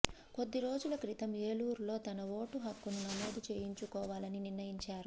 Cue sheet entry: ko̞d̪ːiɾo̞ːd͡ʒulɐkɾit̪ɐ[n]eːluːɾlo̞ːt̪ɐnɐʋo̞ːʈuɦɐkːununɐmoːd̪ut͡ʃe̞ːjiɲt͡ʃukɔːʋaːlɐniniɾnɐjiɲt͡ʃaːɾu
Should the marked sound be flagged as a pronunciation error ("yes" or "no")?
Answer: yes